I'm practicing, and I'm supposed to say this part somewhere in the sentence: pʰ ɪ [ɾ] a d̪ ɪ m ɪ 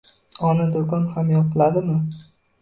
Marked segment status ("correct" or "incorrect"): incorrect